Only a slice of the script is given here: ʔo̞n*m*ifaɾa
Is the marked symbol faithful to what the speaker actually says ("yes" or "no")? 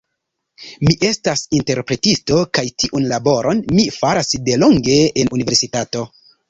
yes